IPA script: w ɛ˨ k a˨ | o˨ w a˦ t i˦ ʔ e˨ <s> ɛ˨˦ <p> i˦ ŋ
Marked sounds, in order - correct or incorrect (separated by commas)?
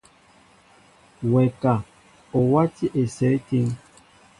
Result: correct, incorrect